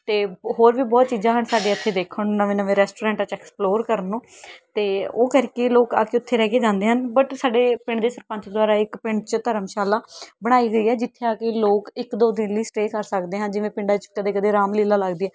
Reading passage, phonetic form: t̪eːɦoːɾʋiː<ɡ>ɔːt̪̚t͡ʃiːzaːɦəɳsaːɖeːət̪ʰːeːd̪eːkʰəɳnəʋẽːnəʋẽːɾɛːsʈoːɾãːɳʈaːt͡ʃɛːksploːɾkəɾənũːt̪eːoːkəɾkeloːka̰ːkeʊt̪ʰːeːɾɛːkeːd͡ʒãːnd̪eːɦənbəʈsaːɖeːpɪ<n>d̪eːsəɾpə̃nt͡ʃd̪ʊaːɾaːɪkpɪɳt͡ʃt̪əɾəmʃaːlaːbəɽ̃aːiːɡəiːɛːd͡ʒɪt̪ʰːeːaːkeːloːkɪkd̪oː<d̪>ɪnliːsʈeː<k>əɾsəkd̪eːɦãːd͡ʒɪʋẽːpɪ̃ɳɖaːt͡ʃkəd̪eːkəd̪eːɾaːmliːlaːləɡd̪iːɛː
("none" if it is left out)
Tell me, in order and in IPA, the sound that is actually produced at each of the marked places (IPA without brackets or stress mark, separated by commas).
b, ɳ, d̪, k